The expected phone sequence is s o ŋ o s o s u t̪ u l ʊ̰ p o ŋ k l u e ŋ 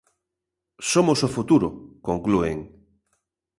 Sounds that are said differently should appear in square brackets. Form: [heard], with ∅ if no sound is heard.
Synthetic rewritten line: s o [m] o s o [f] u t̪ u [ɾ] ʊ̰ [k] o ŋ k l u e ŋ